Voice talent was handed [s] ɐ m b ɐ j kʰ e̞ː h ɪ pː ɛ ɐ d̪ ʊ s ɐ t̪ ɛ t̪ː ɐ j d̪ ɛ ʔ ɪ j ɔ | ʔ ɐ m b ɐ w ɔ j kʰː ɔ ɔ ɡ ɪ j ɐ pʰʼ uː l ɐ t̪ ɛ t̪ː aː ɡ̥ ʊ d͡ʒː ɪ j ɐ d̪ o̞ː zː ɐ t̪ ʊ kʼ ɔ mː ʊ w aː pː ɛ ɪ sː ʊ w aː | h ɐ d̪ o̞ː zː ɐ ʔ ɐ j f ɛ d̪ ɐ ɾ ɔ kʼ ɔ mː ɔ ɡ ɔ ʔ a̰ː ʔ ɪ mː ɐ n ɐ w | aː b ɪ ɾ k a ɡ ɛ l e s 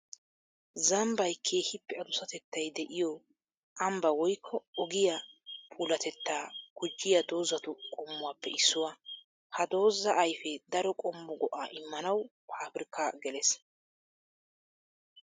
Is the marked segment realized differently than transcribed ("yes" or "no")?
yes